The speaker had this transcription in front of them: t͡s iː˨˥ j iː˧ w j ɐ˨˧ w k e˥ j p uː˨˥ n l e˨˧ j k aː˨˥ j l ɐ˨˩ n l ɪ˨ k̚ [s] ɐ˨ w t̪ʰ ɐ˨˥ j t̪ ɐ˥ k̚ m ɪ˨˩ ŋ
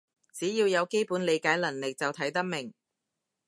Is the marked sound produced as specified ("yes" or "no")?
no